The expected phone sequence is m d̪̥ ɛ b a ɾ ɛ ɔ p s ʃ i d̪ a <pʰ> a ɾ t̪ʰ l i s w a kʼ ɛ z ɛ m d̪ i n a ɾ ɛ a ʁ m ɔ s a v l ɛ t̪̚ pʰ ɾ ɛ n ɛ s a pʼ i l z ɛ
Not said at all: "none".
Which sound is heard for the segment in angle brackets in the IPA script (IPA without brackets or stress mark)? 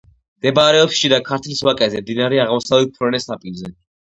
kʰ